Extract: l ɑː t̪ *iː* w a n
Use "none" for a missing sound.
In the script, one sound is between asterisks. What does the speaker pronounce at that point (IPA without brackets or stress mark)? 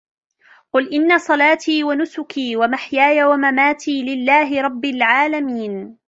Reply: iː